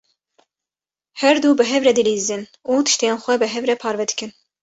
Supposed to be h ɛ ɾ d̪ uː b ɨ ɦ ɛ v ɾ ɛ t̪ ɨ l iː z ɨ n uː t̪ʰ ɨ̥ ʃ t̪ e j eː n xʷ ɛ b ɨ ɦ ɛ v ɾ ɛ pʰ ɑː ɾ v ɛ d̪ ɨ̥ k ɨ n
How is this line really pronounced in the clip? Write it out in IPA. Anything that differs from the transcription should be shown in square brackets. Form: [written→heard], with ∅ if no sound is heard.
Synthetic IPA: h ɛ ɾ d̪ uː b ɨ ɦ ɛ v ɾ ɛ [t̪→d̪] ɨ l iː z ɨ n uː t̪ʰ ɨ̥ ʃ t̪ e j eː n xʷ ɛ b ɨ ɦ ɛ v ɾ ɛ pʰ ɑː ɾ v ɛ d̪ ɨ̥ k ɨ n

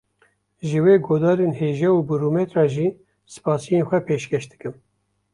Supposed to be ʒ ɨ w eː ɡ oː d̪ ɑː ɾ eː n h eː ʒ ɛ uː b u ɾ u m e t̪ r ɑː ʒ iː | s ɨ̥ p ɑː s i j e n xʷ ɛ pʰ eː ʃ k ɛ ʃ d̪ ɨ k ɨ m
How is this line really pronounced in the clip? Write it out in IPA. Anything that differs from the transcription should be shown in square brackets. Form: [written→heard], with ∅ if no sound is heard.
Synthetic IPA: ʒ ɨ w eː ɡ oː d̪ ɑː ɾ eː n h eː ʒ ɛ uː b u ɾ u m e t̪ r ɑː ʒ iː | s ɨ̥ p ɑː s i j e n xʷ ɛ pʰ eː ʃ k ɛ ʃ d̪ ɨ k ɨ m

